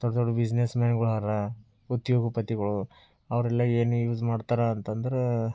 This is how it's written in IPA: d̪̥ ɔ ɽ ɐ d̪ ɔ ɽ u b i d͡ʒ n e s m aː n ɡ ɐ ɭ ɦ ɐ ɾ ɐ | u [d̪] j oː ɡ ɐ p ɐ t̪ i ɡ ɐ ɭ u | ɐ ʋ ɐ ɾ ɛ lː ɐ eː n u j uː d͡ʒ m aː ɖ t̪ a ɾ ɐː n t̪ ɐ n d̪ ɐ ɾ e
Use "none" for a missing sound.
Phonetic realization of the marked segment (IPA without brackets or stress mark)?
t̪